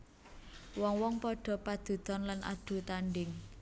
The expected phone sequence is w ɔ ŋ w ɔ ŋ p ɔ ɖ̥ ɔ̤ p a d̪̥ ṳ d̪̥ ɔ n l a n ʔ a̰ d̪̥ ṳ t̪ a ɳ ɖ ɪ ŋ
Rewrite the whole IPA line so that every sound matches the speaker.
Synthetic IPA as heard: w ɔ ŋ w ɔ ŋ p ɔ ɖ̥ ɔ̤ p a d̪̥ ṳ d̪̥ ɔ n l a n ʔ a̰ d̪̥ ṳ t̪ a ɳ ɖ ɪ ŋ